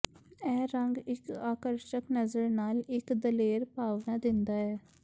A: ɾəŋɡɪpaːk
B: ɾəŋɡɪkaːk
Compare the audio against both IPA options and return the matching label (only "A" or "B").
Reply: B